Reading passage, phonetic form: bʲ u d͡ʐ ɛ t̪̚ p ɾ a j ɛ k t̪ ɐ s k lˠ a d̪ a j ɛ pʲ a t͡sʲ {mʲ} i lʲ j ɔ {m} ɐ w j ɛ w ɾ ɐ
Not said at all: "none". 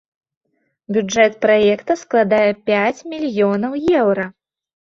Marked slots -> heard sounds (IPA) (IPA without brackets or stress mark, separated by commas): mʲ, n